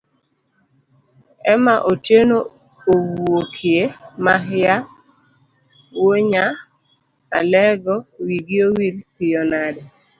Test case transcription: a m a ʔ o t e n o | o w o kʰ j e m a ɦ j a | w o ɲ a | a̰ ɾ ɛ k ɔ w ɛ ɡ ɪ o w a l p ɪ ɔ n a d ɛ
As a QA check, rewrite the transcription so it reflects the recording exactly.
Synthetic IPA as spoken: ɛ m a ʔ o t e n o | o w o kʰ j e m a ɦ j a | w o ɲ a | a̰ l ɛ ɡ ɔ w i ɡ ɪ o w i l p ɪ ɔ n a d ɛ